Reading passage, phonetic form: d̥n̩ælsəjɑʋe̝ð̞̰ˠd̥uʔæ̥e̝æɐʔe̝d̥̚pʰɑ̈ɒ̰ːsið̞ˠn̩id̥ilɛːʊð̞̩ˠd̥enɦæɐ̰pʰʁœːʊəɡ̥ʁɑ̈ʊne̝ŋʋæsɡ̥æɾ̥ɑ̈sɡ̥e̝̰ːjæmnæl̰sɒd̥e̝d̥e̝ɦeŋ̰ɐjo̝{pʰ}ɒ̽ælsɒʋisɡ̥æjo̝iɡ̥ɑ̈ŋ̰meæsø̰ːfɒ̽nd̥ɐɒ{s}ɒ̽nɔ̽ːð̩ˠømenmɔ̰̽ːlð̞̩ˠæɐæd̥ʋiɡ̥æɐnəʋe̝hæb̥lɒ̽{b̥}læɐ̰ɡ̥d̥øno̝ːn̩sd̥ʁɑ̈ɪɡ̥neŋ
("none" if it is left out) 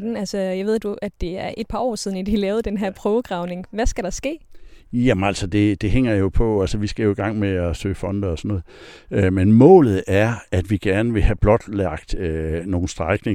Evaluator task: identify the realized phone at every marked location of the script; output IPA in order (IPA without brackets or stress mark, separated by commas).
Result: pʰ, s, d̥